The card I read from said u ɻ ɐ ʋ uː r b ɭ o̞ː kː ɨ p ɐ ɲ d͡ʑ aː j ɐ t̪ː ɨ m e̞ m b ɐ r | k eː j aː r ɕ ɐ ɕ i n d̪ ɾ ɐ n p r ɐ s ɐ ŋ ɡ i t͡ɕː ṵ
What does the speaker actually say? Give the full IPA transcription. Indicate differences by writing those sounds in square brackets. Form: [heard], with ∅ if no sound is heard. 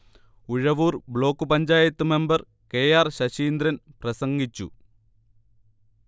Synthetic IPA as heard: u ɻ ɐ ʋ uː r b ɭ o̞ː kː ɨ p ɐ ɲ d͡ʑ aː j ɐ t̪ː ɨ m e̞ m b ɐ r | k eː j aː r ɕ ɐ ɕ [iː] n d̪ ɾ ɐ n p r ɐ s ɐ ŋ ɡ i t͡ɕː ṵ